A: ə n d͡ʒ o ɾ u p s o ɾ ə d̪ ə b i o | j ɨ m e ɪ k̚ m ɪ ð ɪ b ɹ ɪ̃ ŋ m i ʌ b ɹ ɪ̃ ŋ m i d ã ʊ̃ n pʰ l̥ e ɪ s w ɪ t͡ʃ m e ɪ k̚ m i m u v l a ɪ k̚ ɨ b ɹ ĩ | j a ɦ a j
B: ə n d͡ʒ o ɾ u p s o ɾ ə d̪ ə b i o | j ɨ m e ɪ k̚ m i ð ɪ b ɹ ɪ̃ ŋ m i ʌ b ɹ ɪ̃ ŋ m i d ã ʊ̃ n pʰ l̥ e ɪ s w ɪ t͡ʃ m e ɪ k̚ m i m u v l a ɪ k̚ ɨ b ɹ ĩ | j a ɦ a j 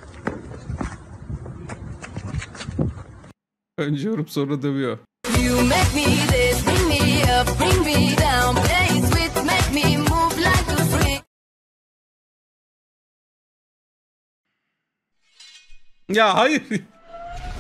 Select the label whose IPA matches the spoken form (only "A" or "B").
B